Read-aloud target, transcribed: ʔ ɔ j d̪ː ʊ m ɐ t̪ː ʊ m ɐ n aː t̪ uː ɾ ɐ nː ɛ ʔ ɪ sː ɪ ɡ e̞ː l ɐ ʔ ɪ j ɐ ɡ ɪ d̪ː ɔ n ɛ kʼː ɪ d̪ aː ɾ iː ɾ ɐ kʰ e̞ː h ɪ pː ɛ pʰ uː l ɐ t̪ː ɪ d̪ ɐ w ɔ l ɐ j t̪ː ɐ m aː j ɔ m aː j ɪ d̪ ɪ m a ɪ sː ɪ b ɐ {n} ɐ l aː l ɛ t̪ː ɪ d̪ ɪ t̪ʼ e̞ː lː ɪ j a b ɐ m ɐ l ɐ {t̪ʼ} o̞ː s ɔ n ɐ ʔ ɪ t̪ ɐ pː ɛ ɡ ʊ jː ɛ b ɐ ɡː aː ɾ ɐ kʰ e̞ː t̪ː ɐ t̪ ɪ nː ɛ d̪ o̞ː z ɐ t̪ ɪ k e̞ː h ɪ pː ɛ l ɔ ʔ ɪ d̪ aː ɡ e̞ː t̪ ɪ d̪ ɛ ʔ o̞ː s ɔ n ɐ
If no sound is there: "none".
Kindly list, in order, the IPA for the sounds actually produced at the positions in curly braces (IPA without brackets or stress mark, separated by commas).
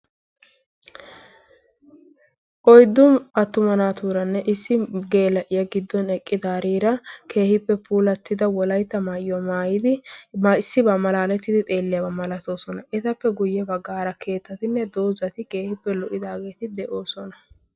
m, t̪